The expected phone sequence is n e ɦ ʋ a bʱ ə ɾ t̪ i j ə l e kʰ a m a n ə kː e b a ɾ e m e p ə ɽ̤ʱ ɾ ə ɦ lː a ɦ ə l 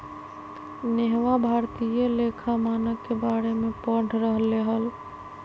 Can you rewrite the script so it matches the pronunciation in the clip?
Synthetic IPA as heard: n e ɦ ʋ a bʱ a ɾ t̪ i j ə l e kʰ a m a n ə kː e b a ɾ e m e p ə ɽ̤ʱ ɾ ə ɦ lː e ɦ ə l